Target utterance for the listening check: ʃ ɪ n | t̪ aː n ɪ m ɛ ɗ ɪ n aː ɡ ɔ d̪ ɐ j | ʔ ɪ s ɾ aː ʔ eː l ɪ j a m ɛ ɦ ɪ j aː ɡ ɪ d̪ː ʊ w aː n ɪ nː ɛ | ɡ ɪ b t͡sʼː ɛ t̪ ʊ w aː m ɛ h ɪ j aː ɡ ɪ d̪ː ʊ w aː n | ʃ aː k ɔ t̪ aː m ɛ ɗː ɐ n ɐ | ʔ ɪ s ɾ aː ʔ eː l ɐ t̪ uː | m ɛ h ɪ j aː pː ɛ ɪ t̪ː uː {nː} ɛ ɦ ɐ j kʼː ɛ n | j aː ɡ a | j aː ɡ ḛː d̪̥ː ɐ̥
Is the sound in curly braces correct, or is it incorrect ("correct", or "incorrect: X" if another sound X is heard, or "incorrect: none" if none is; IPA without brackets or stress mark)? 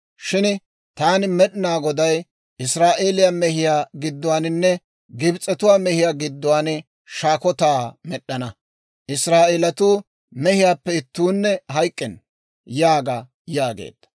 correct